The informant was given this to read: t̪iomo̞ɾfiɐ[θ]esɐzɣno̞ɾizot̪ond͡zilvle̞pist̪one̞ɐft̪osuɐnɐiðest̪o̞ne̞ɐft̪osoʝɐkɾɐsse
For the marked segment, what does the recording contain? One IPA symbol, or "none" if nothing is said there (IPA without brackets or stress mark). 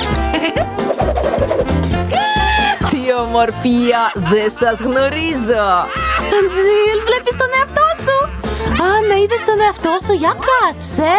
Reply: ð